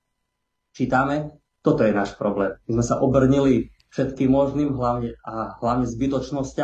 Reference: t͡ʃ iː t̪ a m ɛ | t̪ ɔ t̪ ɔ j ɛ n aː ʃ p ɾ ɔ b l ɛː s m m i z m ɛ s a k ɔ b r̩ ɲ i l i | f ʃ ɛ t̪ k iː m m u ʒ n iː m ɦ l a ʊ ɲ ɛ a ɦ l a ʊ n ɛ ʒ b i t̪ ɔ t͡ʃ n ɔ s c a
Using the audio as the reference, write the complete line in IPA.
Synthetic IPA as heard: t͡ʃ iː t̪ a m ɛ | t̪ ɔ t̪ ɔ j ɛ n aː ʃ p ɾ ɔ b l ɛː m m i z m ɛ s a ʔ ɔ b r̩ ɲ i l i | f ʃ ɛ t̪ k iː m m ɔ ʒ n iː m ɦ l a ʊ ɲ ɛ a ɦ l a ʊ ɲ ɛ z b i t̪ ɔ t͡ʃ n ɔ s c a